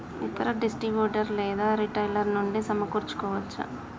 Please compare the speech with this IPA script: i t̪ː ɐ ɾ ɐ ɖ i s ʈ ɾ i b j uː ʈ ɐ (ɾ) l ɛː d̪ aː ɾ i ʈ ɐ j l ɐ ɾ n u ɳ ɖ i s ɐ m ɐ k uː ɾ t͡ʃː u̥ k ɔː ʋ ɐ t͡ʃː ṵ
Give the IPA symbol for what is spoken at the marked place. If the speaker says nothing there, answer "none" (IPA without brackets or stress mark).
ɾ